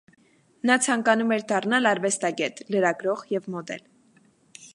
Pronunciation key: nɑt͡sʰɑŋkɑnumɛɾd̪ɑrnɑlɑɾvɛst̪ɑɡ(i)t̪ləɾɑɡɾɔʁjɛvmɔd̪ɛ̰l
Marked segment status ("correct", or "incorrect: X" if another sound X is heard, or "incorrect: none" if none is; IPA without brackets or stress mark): incorrect: ɛ